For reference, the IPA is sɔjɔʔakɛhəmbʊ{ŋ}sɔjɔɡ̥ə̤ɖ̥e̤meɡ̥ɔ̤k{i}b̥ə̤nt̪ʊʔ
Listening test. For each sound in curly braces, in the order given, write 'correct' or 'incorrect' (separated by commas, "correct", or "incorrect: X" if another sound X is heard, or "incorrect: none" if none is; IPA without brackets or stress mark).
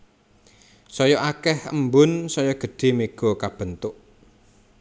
incorrect: n, incorrect: a